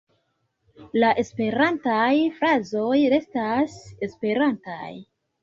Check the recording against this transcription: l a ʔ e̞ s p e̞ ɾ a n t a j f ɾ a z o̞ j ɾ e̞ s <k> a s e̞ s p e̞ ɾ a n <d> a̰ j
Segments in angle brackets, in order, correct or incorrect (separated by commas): incorrect, incorrect